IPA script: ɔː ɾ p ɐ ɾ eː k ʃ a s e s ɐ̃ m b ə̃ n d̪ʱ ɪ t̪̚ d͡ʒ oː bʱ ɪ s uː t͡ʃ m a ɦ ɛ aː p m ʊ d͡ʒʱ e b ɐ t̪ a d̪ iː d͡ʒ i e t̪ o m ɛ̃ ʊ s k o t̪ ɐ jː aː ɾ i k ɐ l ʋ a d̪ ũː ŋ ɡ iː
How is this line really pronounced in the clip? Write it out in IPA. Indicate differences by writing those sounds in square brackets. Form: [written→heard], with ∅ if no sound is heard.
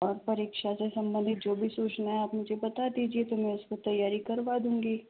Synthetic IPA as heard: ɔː ɾ p ɐ ɾ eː k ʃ a s e s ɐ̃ m b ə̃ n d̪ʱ ɪ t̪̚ d͡ʒ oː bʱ [ɪ→i] s uː t͡ʃ [m→n] a ɦ ɛ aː p m ʊ d͡ʒʱ e b ɐ t̪ a d̪ iː d͡ʒ i e t̪ o m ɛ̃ ʊ s k o t̪ ɐ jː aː ɾ i k ɐ [l→ɾ] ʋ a d̪ ũː ŋ ɡ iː